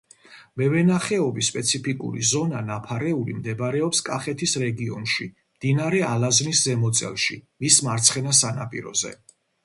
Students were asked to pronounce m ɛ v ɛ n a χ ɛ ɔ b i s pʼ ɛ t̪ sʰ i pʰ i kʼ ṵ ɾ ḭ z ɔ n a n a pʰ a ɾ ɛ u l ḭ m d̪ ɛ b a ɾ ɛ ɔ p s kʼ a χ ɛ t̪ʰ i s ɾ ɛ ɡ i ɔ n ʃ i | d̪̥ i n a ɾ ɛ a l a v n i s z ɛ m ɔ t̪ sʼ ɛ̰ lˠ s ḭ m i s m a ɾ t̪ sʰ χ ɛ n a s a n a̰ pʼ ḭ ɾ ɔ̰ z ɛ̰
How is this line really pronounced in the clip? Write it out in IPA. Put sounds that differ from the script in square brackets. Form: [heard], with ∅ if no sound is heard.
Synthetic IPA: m ɛ v ɛ n a χ ɛ ɔ b i s pʼ ɛ t̪ sʰ i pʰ i kʼ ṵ ɾ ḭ z ɔ n a n a pʰ a ɾ ɛ u l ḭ m d̪ ɛ b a ɾ ɛ ɔ p s kʼ a χ ɛ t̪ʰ i s ɾ ɛ ɡ i ɔ n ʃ i | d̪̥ i n a ɾ ɛ a l a [z] n i s z ɛ m ɔ t̪ sʼ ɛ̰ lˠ [ʃ] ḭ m i s m a ɾ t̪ sʰ χ ɛ n a s a n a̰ pʼ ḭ ɾ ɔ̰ z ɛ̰